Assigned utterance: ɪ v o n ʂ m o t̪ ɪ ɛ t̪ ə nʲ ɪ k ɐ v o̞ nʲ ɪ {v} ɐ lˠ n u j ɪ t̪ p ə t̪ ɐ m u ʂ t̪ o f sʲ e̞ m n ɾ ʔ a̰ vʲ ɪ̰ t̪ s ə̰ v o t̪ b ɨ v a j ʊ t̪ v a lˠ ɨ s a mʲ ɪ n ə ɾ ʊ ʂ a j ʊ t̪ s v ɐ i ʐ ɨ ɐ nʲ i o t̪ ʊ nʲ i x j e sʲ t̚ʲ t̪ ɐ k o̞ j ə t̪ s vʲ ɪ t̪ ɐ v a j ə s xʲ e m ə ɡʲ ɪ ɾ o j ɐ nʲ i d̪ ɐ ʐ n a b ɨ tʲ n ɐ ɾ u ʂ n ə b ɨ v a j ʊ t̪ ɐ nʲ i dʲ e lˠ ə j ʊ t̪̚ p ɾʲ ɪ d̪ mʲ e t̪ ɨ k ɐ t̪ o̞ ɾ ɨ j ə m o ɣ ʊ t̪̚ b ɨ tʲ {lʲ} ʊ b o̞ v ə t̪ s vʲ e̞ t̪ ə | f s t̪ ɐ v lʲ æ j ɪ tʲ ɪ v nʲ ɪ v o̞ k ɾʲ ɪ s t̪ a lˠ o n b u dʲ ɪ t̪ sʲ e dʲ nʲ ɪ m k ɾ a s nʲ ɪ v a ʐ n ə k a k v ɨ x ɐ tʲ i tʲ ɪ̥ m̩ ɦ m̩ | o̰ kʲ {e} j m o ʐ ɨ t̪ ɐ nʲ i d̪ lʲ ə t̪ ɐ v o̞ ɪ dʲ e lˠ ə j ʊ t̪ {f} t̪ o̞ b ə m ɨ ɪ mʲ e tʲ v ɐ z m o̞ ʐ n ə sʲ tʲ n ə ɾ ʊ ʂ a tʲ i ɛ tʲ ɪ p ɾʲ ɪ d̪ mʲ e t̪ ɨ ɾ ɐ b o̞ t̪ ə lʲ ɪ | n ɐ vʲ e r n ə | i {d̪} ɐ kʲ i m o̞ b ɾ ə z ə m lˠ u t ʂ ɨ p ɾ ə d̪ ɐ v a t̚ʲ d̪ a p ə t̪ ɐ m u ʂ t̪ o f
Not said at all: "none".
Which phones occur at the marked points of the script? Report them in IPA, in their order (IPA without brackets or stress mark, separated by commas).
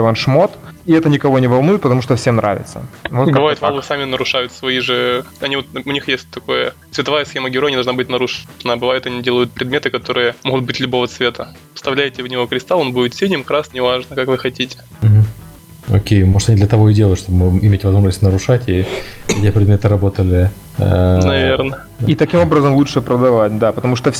v, lʲ, e, ʂ, t̪